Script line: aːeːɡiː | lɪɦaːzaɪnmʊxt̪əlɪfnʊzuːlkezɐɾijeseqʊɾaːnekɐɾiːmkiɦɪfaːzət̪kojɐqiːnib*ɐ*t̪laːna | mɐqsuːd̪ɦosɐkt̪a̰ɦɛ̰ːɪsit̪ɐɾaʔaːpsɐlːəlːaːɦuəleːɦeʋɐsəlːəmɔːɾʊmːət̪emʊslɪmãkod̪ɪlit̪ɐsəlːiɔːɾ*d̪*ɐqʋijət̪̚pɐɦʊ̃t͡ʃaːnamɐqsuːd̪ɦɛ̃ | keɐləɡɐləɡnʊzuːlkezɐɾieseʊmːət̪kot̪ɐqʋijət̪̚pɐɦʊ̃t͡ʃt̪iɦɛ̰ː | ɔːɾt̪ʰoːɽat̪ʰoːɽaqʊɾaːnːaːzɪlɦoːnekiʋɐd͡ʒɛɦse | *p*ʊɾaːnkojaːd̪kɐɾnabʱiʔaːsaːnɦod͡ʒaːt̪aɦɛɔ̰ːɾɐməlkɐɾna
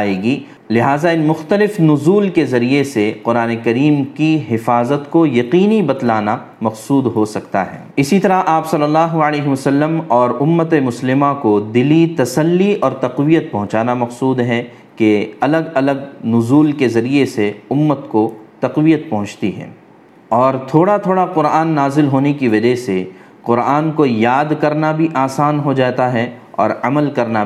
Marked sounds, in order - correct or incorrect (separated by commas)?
correct, incorrect, incorrect